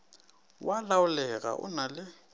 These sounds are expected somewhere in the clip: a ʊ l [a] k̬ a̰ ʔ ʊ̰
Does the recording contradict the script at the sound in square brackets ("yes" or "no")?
yes